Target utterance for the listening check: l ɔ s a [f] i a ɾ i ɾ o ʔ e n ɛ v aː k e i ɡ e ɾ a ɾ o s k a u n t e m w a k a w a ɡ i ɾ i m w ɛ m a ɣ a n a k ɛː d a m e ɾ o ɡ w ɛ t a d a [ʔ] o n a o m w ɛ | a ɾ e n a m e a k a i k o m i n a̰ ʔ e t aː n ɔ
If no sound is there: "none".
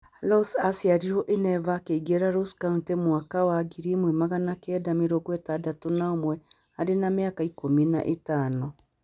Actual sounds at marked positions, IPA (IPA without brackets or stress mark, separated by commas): s, t